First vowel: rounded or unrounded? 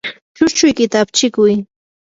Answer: rounded